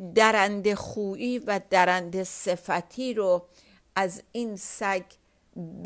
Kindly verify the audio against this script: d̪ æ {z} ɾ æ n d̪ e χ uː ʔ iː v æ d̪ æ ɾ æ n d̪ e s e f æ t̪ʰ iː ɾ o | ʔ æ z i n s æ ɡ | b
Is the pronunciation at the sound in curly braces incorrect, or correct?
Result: incorrect